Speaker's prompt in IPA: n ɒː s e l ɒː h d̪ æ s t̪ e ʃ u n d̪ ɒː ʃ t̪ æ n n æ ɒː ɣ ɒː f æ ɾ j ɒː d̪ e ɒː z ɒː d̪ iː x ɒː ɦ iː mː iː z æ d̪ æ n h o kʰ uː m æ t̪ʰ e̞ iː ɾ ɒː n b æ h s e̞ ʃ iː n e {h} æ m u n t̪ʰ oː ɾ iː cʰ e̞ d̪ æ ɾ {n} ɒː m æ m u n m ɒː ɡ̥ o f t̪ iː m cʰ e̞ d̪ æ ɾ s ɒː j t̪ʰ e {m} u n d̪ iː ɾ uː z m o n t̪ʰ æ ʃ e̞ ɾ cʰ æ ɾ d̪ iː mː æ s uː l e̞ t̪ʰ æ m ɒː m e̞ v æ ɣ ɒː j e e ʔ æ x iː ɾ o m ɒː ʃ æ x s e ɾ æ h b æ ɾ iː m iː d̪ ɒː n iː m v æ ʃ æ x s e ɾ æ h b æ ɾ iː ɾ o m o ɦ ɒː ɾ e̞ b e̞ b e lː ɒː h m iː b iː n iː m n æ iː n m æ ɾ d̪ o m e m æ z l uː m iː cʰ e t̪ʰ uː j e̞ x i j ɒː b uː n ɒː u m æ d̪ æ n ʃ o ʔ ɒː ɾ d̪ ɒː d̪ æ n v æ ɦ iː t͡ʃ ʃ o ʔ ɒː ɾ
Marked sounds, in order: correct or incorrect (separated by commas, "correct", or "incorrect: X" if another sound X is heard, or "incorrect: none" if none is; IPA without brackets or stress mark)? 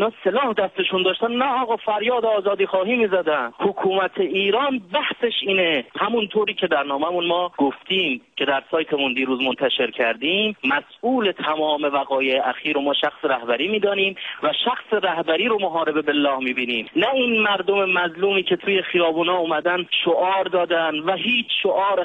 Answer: correct, correct, correct